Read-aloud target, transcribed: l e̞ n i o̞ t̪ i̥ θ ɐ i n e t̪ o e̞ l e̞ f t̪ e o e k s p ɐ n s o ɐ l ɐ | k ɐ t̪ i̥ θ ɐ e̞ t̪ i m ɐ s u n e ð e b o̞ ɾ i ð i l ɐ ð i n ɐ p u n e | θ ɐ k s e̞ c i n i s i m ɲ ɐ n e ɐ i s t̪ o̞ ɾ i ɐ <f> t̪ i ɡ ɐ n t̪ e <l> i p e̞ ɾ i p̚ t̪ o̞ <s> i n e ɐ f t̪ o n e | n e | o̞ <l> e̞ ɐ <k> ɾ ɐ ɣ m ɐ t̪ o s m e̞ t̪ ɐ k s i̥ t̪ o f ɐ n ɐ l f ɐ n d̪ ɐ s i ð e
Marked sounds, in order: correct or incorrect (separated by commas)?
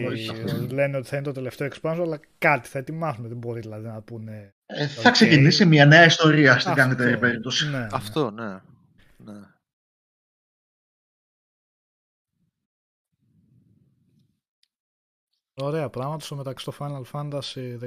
incorrect, incorrect, correct, incorrect, incorrect